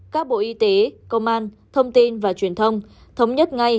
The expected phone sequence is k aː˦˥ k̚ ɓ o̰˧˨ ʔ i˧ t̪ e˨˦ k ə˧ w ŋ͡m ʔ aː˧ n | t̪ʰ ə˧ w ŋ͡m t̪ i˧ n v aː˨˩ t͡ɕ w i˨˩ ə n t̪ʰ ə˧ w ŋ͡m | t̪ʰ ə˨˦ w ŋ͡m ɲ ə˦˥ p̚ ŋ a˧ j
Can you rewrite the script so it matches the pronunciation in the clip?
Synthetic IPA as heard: k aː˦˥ k̚ ɓ o̰˧˨ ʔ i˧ t̪ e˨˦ k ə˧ w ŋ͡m ʔ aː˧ n | t̪ʰ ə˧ w ŋ͡m t̪ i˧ n v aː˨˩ t͡ɕ w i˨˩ ə n t̪ʰ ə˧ w ŋ͡m | t̪ʰ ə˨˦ w ŋ͡m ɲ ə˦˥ t̚ ŋ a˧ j